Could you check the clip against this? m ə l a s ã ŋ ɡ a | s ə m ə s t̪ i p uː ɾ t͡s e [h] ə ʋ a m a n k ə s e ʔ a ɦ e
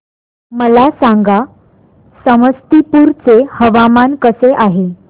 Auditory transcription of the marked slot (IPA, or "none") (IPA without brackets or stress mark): h